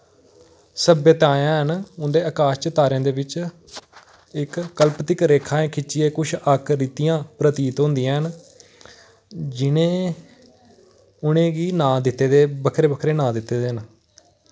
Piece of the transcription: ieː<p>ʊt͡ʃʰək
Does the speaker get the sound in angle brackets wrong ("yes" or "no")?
yes